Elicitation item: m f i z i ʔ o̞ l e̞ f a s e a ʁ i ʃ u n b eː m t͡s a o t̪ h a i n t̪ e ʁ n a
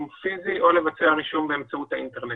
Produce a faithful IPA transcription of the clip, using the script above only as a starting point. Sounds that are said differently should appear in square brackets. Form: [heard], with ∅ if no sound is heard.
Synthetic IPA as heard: m f i z i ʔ o̞ l e̞ [v] a [t͡s] e a ʁ i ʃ u [m] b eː m t͡s a [u] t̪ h a i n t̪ e ʁ n [e]